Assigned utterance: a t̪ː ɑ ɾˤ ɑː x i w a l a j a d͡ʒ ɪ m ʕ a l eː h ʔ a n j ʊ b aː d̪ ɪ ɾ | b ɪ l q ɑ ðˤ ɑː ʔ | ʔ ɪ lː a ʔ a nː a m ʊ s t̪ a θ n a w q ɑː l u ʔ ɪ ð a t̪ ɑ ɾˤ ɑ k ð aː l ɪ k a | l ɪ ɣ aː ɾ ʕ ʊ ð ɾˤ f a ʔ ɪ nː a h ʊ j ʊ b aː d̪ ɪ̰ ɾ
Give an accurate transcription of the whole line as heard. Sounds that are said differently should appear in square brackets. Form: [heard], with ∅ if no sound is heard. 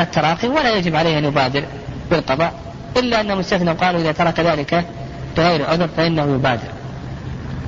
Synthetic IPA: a t̪ː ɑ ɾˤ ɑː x i w a l a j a d͡ʒ ɪ [b] ʕ a l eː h ʔ a n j ʊ b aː d̪ ɪ ɾ | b ɪ l q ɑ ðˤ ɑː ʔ | ʔ ɪ lː a ʔ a nː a m ʊ s t̪ a θ n a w q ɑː l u ʔ ɪ ð a t̪ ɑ ɾˤ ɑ k ð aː l ɪ k a | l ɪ ɣ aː ɾ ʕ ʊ ð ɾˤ f a ʔ ɪ nː a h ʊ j ʊ b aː d̪ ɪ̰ ɾ